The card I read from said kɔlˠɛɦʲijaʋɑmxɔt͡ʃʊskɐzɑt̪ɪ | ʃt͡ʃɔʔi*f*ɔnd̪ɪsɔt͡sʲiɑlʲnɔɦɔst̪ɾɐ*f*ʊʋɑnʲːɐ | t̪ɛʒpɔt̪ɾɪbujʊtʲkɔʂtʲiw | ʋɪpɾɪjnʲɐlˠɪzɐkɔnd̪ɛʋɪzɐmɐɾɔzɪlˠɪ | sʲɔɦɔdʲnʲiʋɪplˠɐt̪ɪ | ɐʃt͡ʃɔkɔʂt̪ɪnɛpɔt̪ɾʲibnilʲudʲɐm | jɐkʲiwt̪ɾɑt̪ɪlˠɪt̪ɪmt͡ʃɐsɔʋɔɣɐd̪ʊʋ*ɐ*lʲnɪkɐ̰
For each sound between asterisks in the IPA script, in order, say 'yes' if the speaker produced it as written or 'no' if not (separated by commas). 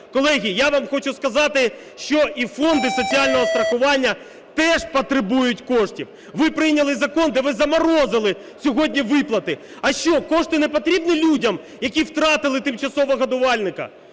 yes, no, no